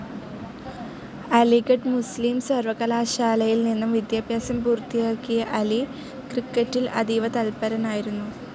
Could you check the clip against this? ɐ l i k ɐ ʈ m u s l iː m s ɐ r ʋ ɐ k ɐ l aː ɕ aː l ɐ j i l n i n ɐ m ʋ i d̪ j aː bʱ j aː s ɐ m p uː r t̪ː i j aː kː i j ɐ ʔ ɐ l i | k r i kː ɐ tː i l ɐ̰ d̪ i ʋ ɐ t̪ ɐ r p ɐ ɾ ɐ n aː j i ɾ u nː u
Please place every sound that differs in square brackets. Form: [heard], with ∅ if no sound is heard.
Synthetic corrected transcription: ɐ l i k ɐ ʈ m u s l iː m s ɐ r ʋ ɐ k ɐ l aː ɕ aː l ɐ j i l n i [nː] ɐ m ʋ i d̪ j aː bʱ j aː s ɐ m p uː r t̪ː i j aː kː i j ɐ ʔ ɐ l i | k r i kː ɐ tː i l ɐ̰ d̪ i ʋ ɐ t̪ ɐ [l] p ɐ ɾ ɐ n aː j i ɾ u nː u

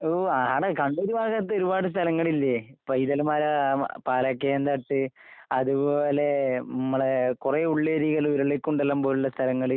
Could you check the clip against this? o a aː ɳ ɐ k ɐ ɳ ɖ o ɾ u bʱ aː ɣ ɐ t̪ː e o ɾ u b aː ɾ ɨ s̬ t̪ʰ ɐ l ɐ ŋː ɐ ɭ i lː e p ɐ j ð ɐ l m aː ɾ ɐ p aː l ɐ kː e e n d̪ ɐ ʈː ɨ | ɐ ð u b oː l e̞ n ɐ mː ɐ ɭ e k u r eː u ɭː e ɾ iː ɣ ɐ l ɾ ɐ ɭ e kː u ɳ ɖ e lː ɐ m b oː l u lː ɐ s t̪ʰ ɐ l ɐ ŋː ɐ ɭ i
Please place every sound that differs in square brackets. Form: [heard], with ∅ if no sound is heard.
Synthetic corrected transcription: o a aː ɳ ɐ k ɐ ɳ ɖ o ɾ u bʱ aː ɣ ɐ t̪ː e o ɾ u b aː [ɽ] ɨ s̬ t̪ʰ ɐ l ɐ ŋː ɐ ɭ i lː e p ɐ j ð ɐ l m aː ɾ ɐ p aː l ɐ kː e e n d̪ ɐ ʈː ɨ | ɐ ð u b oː l e̞ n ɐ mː ɐ ɭ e k u r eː u ɭː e ɾ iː ɣ ɐ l ɾ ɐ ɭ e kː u ɳ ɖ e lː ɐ m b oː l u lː ɐ s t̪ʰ ɐ l ɐ ŋː ɐ ɭ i

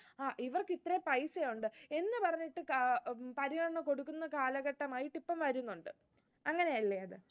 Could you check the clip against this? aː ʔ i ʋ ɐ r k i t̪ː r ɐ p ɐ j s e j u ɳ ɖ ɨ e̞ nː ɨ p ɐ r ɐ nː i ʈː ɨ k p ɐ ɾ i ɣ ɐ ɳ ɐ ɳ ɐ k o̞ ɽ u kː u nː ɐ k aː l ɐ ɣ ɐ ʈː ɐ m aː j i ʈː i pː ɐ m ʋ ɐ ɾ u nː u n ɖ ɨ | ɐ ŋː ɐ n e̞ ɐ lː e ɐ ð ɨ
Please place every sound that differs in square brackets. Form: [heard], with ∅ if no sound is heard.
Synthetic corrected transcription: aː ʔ i ʋ ɐ r k i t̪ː r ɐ p ɐ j s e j u ɳ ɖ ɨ e̞ nː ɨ p ɐ r ɐ [ɲː] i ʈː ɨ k p ɐ ɾ i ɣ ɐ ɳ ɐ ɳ ɐ k o̞ ɽ u kː u nː ɐ k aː l ɐ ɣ ɐ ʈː ɐ m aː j i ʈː i pː ɐ m ʋ ɐ ɾ u nː u [ɳ] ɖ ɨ | ɐ ŋː ɐ n e̞ ɐ lː e ɐ ð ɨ

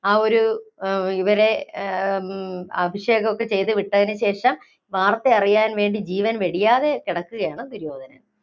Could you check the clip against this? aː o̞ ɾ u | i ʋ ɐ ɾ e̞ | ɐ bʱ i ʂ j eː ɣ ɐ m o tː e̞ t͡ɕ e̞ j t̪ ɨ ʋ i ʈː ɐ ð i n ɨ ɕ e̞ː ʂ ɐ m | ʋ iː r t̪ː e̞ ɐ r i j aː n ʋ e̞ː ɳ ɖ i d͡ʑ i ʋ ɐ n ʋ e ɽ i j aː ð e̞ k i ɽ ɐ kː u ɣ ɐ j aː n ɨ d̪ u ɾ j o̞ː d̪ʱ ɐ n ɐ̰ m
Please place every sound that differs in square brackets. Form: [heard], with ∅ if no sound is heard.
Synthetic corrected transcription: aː o̞ ɾ u | i ʋ ɐ ɾ e̞ | ɐ bʱ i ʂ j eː ɣ ɐ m o [kː] e̞ t͡ɕ e̞ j t̪ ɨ ʋ i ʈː ɐ ð i n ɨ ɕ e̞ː ʂ ɐ m | ʋ [aː] r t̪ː e̞ ɐ r i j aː n ʋ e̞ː ɳ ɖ i d͡ʑ [iː] ʋ ɐ n ʋ e ɽ i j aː ð e̞ k i ɽ ɐ kː u ɣ ɐ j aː [ɳ] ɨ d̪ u ɾ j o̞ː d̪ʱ ɐ n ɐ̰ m

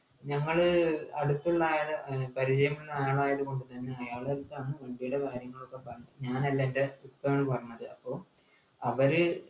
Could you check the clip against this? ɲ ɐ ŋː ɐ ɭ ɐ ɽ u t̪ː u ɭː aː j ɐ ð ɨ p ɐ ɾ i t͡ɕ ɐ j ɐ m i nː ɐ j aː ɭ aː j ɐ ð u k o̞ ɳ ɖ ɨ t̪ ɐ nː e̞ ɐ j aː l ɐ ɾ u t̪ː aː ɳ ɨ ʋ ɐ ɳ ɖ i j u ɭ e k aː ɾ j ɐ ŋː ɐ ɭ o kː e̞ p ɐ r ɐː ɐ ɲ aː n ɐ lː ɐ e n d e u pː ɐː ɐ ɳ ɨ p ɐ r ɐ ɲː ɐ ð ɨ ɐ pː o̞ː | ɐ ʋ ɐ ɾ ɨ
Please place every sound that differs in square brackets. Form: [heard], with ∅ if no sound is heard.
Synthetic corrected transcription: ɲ ɐ ŋː ɐ ɭ ɐ ɽ u t̪ː u ɭː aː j ɐ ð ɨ p ɐ ɾ i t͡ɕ ɐ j ɐ m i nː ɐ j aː ɭ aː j ɐ ð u k o̞ ɳ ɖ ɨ t̪ ɐ nː e̞ ɐ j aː [ɭ] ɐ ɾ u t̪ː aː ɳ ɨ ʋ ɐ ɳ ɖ i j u [ɽ] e k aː ɾ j ɐ ŋː ɐ ɭ o kː e̞ p ɐ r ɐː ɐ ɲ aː n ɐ lː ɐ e n d e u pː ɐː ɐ ɳ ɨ p ɐ r ɐ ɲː ɐ ð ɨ ɐ pː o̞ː | ɐ ʋ ɐ ɾ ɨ

